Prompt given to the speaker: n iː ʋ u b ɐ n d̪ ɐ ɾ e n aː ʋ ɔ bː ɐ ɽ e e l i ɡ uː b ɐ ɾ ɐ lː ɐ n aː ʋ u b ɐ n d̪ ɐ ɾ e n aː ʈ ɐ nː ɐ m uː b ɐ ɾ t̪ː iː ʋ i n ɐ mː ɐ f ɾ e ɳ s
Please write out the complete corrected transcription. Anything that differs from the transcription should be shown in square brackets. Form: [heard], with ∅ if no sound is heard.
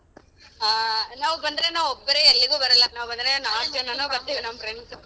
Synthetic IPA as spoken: n [aː] ʋ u b ɐ n d̪ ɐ ɾ e n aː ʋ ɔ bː ɐ [ɾ] e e [lː] i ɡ uː b ɐ ɾ ɐ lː ɐ n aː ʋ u b ɐ n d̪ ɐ ɾ e n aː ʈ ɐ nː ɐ [n] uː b ɐ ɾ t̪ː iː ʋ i n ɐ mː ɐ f ɾ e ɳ s